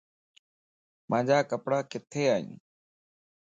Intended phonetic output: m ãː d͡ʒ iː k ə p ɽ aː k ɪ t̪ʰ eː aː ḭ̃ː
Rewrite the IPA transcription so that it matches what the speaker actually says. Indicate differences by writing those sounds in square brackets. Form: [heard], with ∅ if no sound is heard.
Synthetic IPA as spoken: m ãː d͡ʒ [aː] k ə p ɽ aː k ɪ t̪ʰ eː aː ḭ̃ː